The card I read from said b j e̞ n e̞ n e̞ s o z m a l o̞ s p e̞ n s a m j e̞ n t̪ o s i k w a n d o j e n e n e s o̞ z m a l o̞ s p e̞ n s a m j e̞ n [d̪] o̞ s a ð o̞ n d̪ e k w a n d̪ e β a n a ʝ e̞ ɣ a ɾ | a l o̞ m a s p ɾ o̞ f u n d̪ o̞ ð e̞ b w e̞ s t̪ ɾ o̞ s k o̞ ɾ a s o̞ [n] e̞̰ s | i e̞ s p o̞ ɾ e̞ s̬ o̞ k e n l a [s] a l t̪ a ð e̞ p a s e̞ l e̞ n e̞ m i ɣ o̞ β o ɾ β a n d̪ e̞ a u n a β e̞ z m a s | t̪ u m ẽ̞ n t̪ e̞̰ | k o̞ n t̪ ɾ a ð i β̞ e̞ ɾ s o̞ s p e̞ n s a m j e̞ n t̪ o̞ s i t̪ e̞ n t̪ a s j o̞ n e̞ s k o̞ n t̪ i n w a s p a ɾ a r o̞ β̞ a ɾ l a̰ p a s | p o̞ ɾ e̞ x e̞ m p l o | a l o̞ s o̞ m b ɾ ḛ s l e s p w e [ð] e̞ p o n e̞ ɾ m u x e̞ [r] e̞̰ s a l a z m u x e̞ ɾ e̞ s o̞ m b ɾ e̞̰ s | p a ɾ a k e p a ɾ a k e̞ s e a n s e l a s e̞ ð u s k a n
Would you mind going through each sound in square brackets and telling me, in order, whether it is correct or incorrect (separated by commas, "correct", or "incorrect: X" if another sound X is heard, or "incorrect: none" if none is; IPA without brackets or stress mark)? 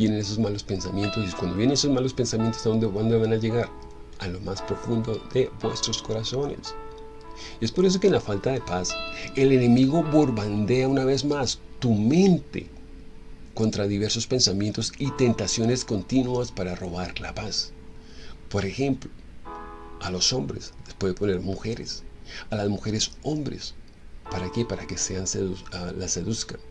incorrect: t̪, correct, incorrect: f, correct, incorrect: ɾ